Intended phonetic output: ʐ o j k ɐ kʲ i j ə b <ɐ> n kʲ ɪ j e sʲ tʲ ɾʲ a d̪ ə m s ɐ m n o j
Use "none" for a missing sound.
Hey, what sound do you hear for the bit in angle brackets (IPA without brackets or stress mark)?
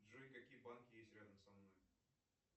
a